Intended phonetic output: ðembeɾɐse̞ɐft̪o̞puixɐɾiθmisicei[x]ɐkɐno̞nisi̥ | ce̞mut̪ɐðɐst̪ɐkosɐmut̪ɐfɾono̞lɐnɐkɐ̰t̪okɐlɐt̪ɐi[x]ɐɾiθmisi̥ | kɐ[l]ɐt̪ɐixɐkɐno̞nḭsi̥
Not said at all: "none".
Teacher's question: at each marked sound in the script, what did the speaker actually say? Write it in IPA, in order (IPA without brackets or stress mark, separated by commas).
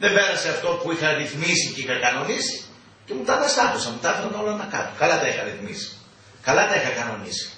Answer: x, x, l